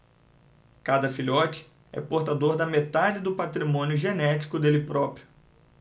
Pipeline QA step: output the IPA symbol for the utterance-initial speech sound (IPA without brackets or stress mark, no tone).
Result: k